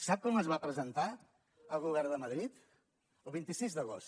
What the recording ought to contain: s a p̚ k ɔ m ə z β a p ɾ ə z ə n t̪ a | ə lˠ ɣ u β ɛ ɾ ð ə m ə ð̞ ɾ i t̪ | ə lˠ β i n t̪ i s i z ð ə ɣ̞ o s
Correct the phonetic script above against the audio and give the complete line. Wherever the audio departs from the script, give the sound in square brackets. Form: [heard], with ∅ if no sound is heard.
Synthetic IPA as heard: s a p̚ k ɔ m ə z β a p ɾ ə z ə n t̪ a | ə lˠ ɣ u β ɛ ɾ ð ə m ə ð̞ ɾ i t̪ | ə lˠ β i n t̪ i s i z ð ə ɣ̞ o s